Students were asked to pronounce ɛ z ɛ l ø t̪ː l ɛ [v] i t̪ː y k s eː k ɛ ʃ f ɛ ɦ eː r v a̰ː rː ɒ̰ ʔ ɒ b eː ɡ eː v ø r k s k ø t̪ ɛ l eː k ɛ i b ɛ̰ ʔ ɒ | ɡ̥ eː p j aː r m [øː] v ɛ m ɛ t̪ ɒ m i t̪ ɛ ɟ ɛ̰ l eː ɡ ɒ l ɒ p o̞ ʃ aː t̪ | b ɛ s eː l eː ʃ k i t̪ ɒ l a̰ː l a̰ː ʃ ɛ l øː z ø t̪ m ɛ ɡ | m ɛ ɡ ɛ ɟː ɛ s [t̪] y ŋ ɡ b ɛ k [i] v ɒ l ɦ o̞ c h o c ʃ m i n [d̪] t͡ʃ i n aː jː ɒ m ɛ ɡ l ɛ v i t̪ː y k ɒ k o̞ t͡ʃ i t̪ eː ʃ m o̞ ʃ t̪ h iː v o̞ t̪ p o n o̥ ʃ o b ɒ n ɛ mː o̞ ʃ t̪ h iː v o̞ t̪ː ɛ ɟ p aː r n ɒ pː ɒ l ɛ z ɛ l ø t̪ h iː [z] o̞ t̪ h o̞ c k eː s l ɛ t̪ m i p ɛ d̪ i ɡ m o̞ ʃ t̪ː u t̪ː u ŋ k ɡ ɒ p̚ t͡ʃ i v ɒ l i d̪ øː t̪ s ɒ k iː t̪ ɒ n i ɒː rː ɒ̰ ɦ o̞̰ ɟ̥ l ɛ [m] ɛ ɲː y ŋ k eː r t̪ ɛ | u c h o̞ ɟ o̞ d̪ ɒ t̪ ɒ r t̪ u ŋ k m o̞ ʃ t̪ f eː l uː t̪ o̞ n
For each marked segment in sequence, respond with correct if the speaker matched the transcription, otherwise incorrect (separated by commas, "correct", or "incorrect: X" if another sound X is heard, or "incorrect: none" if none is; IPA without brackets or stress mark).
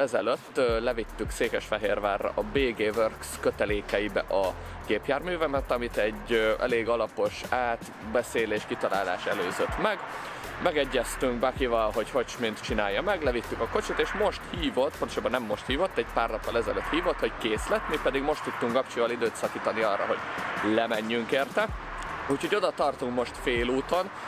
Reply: correct, incorrect: yː, correct, correct, incorrect: t̪, incorrect: v, correct